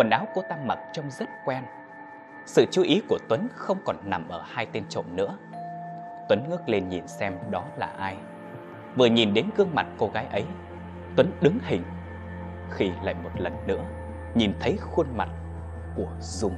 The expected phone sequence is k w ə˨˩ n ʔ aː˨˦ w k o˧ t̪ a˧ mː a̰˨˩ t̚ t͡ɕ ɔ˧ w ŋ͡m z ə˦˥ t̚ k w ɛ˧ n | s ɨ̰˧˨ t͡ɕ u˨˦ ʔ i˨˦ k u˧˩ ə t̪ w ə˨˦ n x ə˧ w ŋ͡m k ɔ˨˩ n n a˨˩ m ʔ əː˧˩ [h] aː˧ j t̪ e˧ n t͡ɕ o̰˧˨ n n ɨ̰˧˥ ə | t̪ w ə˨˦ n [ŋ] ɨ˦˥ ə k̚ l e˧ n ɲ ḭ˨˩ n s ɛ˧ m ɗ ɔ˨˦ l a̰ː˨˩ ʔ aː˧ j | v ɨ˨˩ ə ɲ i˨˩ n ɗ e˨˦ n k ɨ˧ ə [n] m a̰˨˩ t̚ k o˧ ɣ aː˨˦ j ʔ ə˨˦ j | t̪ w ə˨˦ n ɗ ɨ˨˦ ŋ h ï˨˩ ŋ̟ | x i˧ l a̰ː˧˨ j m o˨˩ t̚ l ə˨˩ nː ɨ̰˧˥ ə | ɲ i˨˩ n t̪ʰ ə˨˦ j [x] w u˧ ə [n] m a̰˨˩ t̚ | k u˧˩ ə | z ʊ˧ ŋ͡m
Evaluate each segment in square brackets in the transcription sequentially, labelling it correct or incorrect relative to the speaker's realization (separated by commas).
correct, correct, incorrect, correct, correct